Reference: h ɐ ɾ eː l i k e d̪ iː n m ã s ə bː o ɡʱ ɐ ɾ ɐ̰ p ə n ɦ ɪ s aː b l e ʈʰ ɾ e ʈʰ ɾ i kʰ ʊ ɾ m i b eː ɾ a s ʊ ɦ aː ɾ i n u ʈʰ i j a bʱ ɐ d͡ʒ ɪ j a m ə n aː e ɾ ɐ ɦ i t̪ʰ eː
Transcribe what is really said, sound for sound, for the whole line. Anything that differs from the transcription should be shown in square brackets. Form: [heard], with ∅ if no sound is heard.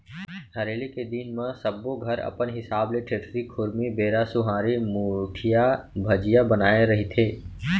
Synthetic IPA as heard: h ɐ ɾ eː l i k e d̪ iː n m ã s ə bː o ɡʱ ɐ ɾ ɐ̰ p ə n ɦ ɪ s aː b l e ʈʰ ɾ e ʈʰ ɾ i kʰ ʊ ɾ m i b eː ɾ a s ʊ ɦ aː ɾ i [m] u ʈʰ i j a bʱ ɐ d͡ʒ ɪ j a [b] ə n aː e ɾ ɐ ɦ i t̪ʰ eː